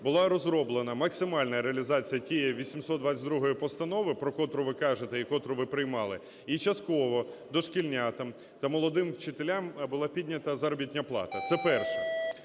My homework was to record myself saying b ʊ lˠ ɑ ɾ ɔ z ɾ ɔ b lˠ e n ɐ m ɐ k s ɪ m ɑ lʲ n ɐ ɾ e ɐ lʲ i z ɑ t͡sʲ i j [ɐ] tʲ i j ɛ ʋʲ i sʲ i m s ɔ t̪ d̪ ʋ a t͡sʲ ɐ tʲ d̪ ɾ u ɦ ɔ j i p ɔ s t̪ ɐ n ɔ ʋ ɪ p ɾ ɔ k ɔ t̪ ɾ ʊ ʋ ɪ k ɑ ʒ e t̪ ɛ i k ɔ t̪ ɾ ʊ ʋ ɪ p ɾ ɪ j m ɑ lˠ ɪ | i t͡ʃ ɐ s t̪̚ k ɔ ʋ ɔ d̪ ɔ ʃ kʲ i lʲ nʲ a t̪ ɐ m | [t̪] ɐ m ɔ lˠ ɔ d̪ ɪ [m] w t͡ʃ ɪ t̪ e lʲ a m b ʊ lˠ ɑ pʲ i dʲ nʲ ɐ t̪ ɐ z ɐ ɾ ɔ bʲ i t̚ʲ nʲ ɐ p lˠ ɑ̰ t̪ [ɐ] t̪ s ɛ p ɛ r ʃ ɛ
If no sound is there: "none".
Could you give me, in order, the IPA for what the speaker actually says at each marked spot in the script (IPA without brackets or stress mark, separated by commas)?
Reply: ɐ, t̪, m, ɐ